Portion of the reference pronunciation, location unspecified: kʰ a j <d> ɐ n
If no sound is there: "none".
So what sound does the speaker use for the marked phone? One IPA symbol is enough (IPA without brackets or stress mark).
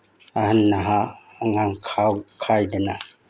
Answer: d